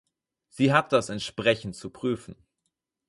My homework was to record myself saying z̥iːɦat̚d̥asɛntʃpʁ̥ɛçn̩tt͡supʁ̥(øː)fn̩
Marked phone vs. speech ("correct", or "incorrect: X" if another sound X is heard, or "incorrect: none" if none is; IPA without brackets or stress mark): incorrect: yː